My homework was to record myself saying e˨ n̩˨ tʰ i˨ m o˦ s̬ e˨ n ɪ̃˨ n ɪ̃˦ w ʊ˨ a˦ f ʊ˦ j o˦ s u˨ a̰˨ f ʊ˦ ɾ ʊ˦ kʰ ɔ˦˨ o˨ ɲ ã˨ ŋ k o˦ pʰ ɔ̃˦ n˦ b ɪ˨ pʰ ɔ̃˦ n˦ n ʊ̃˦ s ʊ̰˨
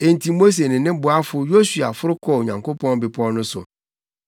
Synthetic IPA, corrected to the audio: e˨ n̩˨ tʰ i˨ m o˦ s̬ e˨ n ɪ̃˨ n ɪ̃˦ b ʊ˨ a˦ f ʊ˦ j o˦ s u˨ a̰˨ f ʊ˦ ɾ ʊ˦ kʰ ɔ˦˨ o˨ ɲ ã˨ ŋ k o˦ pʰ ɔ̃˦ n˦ b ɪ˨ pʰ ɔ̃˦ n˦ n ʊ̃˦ s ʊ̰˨